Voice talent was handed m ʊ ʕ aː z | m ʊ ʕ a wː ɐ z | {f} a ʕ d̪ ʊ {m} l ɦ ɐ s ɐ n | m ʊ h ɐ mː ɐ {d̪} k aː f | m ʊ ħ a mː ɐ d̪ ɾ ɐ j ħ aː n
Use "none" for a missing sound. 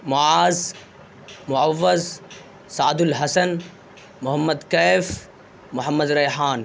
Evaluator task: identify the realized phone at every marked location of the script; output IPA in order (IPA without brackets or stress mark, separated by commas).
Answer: s, none, d̪